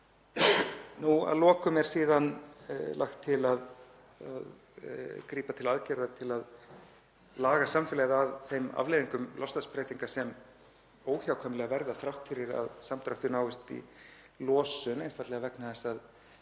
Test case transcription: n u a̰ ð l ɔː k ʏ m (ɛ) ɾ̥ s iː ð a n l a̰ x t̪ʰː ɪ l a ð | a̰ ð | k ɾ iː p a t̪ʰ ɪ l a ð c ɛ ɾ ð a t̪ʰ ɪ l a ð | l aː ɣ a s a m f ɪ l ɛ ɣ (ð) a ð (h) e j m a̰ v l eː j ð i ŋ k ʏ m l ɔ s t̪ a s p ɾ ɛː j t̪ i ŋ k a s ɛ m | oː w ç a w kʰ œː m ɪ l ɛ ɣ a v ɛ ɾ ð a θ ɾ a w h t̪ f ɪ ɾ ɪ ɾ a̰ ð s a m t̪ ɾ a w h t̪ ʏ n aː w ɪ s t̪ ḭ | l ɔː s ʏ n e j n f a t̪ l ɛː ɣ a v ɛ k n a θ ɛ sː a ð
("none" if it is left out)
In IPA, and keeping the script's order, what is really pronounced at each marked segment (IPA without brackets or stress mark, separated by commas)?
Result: ɛ, ð, θ